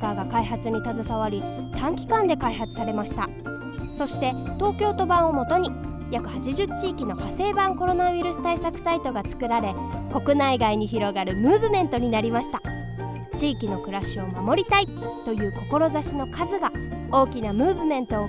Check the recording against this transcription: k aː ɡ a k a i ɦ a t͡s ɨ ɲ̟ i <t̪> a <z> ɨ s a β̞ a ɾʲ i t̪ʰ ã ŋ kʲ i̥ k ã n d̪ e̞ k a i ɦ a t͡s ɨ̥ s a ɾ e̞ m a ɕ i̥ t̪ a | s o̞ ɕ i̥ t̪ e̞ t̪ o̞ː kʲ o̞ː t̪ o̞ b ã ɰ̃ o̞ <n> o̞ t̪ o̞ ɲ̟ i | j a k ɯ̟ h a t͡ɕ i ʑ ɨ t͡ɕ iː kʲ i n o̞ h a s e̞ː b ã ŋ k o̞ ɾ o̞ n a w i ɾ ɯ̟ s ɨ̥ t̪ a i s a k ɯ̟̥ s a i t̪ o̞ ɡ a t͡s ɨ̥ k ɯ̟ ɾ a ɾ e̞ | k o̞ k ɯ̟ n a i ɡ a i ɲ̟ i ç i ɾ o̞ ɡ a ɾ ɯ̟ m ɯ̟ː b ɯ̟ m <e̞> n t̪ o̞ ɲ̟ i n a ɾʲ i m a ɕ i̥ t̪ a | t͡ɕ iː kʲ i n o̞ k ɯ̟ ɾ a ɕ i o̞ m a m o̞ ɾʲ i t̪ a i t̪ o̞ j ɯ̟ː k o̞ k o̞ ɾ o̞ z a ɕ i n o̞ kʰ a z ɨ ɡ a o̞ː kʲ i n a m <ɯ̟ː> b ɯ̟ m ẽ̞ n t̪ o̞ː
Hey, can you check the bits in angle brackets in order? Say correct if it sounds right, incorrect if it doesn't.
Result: correct, correct, incorrect, incorrect, correct

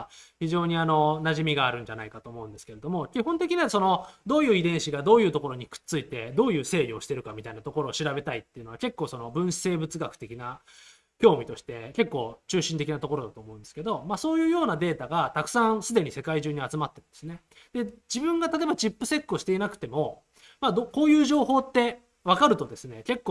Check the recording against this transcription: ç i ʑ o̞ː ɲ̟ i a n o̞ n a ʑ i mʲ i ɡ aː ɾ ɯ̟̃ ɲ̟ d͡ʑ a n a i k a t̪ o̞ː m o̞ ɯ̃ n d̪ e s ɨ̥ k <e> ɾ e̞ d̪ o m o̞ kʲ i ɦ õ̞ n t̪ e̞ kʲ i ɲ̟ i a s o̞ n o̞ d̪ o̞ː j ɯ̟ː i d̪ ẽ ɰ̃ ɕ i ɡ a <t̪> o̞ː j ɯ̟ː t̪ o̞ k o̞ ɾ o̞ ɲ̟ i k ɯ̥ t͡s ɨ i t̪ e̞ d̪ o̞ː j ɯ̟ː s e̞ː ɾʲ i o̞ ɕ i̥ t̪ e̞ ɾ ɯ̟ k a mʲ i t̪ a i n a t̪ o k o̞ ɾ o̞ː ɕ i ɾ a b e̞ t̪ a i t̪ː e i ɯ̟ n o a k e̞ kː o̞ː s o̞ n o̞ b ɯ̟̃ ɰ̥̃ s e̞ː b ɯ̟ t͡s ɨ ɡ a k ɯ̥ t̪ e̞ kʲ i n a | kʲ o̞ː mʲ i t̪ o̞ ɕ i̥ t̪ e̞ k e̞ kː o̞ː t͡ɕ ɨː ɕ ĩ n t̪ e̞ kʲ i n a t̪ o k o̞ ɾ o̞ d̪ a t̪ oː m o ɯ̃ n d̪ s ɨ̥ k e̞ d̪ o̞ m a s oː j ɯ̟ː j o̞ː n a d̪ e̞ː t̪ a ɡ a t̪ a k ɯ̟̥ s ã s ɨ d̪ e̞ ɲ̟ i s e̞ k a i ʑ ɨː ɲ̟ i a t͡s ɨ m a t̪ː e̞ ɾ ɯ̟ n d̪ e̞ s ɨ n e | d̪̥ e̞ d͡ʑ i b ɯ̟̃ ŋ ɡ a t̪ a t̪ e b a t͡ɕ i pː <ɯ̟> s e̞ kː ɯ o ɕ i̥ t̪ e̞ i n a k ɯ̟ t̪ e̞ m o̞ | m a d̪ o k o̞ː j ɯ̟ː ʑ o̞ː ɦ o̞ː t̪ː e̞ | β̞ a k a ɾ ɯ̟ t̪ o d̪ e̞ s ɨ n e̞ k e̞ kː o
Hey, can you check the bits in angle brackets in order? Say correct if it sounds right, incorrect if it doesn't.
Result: correct, incorrect, correct

